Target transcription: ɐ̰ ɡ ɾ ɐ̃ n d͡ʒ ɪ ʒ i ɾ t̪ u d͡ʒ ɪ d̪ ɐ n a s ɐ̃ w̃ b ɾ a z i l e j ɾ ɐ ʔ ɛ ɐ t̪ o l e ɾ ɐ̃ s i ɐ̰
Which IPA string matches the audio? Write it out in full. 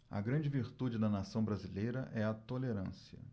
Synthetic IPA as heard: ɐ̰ ɡ ɾ ɐ̃ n d͡ʒ ɪ v i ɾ t̪ u d͡ʒ ɪ d̪ ɐ n a s ɐ̃ w̃ b ɾ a z i l e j ɾ ɐ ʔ ɛ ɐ t̪ o l e ɾ ɐ̃ s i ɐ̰